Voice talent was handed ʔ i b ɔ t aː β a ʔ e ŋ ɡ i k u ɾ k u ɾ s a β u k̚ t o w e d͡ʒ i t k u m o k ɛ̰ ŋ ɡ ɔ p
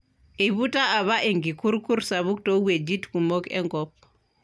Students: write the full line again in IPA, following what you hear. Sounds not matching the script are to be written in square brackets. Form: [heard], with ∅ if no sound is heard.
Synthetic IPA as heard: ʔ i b [u] t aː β a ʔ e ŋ ɡ i k u ɾ k u ɾ s a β u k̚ t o w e d͡ʒ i t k u m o k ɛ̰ ŋ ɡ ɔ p